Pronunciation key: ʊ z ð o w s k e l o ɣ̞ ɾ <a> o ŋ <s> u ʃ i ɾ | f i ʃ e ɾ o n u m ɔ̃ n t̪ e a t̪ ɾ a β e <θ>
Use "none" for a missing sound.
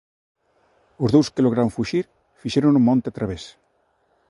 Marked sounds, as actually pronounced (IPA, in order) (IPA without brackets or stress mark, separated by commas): a, f, s